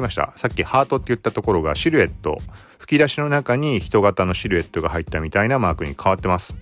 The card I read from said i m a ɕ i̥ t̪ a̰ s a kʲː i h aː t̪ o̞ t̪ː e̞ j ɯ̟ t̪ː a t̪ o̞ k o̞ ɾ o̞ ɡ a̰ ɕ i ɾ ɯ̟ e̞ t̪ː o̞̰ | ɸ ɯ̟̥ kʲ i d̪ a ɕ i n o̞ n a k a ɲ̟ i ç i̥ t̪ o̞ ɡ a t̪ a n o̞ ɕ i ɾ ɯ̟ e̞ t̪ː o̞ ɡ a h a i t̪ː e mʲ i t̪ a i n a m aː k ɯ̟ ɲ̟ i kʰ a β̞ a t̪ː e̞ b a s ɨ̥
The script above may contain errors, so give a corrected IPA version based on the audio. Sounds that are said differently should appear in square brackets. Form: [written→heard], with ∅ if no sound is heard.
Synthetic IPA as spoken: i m a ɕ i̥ t̪ a̰ s a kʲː i h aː t̪ o̞ t̪ː e̞ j ɯ̟ t̪ː a t̪ o̞ k o̞ ɾ o̞ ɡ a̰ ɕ i ɾ ɯ̟ e̞ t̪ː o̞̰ | ɸ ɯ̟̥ kʲ i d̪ a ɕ i n o̞ n a k a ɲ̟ i ç i̥ t̪ o̞ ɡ a t̪ a n o̞ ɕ i ɾ ɯ̟ e̞ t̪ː o̞ ɡ a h a i t̪ː [e→a] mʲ i t̪ a i n a m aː k ɯ̟ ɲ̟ i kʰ a β̞ a t̪ː e̞ [b→m] a s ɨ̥